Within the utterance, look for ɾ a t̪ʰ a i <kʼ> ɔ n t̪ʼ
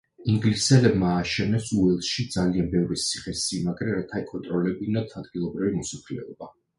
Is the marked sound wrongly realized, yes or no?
no